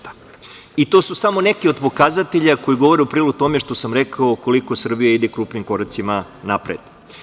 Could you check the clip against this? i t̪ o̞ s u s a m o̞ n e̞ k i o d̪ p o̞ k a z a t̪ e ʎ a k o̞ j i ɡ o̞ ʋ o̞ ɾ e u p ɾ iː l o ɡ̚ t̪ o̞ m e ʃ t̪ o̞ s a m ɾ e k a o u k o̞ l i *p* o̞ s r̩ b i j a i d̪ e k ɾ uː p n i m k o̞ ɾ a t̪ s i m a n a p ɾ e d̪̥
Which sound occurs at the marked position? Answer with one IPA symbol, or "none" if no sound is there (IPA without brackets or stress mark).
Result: k